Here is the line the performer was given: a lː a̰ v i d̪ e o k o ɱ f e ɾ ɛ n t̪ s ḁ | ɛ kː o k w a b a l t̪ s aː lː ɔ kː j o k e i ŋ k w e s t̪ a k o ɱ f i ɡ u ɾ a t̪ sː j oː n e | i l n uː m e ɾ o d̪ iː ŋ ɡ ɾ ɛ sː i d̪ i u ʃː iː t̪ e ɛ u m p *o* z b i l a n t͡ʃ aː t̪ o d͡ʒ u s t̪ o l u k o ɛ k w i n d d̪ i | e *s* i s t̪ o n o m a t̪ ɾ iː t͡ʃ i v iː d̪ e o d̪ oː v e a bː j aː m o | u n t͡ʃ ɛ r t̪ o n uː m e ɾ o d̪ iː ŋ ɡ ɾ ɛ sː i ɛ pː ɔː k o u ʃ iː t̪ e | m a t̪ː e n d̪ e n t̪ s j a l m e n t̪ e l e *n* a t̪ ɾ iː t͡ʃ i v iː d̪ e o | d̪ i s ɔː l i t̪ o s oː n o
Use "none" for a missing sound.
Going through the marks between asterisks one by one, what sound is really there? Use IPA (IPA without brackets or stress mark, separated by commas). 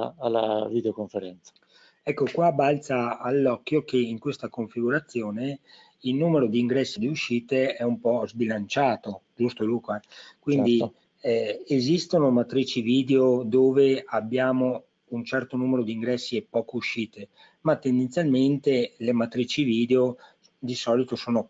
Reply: ɔ, z, m